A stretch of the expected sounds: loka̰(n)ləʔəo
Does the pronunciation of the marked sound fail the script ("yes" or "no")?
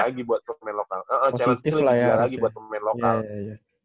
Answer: yes